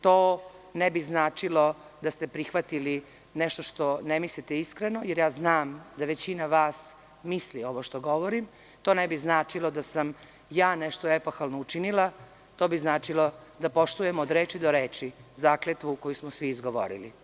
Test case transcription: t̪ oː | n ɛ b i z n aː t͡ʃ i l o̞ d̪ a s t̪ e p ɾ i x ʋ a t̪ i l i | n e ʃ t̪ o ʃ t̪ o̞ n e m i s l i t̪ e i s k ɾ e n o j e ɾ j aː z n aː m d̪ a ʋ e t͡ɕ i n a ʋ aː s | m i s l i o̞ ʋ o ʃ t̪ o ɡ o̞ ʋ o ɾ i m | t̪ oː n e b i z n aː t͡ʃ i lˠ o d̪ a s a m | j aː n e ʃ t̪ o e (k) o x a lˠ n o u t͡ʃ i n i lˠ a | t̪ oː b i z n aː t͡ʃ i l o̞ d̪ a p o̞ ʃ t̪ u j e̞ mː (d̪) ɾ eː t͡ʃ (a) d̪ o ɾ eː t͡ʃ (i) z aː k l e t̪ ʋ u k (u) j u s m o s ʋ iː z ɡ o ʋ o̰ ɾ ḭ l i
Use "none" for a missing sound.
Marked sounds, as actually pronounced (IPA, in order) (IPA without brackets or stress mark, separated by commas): p, d̪, i, i, o